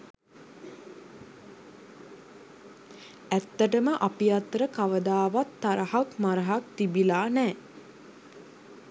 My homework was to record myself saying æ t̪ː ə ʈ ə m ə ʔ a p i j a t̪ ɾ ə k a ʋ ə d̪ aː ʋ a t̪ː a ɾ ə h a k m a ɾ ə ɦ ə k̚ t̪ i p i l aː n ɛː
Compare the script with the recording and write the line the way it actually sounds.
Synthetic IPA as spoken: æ t̪ː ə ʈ ə m ə ʔ a p i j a t̪ ɾ ə k a ʋ ə d̪ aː ʋ a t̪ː a ɾ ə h a k m a ɾ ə ɦ a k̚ t̪ i b i l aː n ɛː